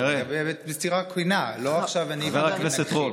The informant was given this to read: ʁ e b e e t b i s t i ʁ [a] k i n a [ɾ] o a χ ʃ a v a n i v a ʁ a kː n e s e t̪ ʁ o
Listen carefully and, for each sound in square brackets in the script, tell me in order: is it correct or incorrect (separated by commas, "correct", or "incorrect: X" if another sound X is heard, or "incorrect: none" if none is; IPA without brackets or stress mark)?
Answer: correct, incorrect: l